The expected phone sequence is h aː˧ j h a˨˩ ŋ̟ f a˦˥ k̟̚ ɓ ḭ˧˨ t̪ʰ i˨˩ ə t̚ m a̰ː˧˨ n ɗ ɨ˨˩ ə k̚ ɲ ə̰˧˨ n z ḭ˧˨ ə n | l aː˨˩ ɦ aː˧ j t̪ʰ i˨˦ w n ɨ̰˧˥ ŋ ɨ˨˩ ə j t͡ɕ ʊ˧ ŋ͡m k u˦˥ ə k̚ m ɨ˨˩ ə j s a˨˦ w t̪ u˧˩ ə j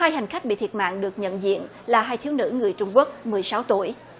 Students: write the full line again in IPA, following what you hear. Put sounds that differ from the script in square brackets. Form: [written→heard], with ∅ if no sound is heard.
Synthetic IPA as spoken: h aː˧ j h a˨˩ ŋ̟ [f→x] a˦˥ k̟̚ ɓ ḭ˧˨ t̪ʰ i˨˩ ə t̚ m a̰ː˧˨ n ɗ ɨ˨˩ ə k̚ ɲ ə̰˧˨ n z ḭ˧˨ ə n | l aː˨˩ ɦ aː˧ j t̪ʰ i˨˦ w n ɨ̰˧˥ ŋ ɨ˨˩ ə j t͡ɕ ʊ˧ ŋ͡m k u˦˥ ə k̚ m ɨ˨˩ ə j s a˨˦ w t̪ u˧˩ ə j